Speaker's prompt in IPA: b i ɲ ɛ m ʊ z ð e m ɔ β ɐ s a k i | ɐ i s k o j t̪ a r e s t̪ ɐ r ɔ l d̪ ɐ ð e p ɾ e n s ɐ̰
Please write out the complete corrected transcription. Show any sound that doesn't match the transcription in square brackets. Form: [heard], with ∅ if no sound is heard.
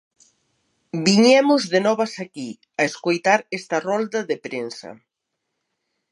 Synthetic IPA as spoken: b i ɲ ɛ m ʊ z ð e [n] ɔ β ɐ s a k i | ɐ [e] s k o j t̪ a [ɾ] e s t̪ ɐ r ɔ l d̪ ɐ ð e p ɾ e n s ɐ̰